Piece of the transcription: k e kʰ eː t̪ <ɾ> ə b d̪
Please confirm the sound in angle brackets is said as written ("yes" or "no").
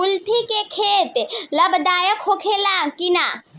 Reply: no